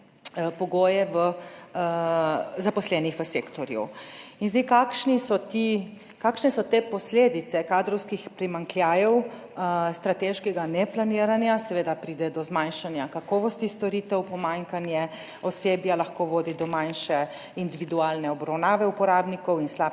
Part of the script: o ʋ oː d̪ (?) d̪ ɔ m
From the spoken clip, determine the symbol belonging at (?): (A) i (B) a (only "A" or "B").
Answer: A